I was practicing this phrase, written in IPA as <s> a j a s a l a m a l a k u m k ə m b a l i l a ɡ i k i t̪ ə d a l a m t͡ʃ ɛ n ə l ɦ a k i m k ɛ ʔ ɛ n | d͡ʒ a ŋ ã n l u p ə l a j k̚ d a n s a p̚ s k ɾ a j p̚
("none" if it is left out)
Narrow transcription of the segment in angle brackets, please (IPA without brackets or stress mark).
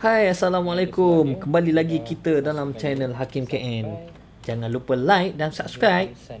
h